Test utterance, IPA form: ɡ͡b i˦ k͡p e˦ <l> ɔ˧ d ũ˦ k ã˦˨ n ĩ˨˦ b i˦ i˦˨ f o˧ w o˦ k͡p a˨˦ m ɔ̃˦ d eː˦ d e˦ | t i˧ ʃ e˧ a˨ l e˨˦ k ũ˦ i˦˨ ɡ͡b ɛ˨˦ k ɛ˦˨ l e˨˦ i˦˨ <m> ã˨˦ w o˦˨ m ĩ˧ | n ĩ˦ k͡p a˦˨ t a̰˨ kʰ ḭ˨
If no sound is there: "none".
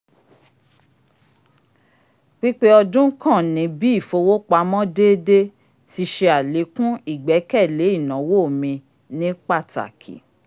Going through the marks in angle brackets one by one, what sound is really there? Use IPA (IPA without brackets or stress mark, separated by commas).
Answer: none, n